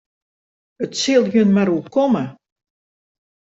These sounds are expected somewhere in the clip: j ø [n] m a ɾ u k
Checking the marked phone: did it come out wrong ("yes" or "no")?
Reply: no